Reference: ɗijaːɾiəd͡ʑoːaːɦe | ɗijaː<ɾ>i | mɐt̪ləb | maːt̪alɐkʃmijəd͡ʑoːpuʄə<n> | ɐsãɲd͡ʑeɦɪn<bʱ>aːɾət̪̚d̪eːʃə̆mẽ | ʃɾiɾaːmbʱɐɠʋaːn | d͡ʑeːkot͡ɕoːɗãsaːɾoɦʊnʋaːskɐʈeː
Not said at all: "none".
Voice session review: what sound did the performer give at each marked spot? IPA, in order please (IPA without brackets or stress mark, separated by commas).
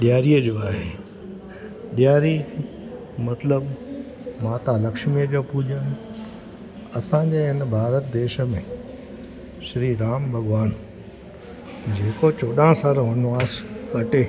ɾ, n, bʱ